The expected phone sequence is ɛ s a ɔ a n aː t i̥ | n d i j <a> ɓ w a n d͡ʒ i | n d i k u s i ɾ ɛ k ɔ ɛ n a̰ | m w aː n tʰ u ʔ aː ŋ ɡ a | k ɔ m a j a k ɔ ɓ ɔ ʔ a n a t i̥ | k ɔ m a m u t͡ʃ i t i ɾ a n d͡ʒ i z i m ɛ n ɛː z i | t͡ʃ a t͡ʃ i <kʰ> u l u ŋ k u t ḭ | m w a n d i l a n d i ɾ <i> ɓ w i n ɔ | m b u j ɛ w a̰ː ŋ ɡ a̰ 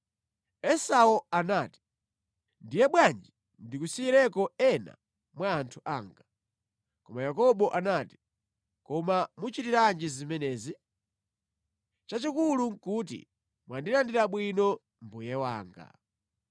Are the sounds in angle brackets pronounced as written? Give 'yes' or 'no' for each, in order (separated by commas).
no, no, no